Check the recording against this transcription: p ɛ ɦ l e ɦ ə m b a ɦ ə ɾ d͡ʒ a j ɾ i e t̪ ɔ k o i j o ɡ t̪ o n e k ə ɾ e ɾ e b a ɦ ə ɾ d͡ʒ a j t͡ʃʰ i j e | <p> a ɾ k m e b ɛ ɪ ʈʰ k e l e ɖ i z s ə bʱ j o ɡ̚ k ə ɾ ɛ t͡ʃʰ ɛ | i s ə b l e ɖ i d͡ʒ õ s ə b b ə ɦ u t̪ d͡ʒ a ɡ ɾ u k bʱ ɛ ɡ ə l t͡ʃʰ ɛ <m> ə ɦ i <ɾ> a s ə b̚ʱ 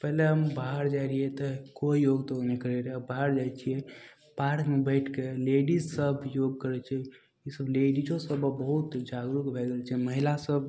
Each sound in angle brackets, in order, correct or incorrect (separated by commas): correct, correct, incorrect